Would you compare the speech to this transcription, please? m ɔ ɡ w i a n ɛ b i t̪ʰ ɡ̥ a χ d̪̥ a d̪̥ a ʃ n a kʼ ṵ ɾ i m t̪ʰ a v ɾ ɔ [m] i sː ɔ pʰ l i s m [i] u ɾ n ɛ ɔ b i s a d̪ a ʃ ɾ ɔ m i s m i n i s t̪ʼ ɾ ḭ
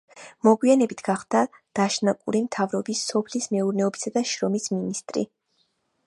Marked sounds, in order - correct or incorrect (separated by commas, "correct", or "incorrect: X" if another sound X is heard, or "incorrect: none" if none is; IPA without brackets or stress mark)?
incorrect: b, incorrect: ɛ